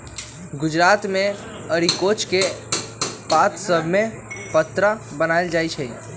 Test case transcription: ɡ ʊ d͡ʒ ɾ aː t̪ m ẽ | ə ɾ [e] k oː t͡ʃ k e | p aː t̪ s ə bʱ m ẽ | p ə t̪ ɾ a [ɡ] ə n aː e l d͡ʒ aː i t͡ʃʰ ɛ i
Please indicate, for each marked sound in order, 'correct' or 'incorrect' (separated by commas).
incorrect, incorrect